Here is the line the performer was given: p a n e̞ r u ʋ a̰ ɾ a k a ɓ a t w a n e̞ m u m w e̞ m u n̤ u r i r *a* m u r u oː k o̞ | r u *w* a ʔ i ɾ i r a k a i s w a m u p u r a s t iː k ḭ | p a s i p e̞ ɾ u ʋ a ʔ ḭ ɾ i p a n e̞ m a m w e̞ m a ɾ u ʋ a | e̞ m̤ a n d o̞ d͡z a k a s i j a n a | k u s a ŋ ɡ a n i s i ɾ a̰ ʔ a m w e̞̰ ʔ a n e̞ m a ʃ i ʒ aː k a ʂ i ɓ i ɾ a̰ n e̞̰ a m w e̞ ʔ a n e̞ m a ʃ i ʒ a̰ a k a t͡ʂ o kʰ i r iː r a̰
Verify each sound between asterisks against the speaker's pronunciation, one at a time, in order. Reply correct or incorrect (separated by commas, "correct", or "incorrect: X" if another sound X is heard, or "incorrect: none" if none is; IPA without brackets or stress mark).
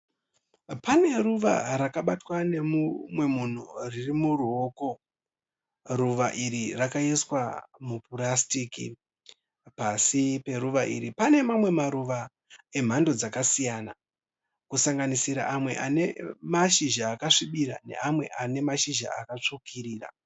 incorrect: i, incorrect: ʋ